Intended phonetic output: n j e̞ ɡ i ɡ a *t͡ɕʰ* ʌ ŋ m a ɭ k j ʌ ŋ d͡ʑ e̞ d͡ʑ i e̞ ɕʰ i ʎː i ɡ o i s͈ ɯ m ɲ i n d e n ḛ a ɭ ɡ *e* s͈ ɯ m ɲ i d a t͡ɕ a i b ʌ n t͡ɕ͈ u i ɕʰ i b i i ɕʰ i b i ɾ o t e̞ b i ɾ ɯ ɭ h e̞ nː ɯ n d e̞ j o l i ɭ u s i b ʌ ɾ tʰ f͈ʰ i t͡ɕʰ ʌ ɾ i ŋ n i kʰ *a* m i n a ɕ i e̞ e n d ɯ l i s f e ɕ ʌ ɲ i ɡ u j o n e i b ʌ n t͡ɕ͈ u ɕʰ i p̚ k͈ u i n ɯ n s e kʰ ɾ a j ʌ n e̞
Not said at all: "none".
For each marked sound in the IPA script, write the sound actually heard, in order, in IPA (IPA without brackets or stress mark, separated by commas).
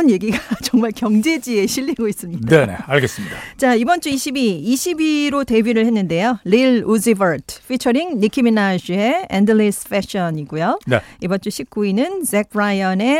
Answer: t͡ɕ, e, i